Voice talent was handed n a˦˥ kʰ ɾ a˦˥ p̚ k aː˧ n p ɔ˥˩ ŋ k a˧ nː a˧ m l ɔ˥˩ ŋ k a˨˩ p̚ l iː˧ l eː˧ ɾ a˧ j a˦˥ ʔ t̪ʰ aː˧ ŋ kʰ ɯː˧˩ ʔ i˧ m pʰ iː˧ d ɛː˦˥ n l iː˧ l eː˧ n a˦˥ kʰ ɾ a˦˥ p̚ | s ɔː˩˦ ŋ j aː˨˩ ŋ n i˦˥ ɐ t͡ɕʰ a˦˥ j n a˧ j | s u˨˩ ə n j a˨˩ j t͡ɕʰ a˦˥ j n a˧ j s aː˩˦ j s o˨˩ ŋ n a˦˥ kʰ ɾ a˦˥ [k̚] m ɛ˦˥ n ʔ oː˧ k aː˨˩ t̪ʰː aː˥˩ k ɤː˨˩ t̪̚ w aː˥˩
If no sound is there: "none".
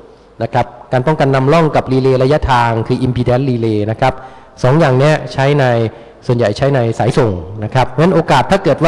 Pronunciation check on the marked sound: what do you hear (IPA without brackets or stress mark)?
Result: p̚